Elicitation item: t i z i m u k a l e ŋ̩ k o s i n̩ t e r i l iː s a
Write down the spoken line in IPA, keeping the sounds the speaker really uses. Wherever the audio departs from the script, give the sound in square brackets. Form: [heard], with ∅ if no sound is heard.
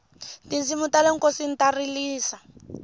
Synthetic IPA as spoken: t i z i m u [t] a l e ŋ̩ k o s i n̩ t [a] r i l iː s a